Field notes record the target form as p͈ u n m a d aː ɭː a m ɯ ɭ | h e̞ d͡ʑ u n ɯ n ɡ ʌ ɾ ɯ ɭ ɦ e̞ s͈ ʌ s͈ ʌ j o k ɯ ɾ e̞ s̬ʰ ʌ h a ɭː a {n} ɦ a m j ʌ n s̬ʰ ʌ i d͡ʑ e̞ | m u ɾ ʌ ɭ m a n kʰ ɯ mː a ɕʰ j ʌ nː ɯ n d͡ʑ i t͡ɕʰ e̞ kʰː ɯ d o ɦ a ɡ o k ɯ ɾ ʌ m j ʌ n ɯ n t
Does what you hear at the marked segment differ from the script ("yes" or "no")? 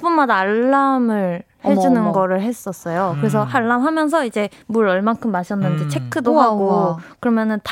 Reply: yes